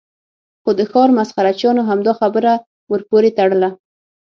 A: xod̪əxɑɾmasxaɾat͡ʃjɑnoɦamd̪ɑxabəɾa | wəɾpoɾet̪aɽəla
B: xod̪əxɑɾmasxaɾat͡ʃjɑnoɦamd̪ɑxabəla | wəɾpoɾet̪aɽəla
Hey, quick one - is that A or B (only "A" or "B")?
A